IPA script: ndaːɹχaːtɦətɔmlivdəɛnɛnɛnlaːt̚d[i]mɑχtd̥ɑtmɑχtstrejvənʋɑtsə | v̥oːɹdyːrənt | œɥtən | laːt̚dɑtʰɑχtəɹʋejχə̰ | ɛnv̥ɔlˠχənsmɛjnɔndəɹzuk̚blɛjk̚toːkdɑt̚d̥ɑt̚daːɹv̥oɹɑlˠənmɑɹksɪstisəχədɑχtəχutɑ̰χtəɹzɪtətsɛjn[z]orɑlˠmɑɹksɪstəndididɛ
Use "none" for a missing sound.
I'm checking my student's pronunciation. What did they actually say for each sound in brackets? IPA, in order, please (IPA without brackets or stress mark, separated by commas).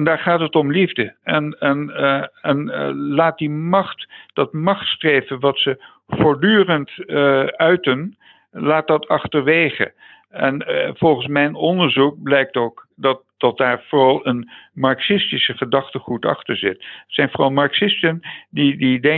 i, v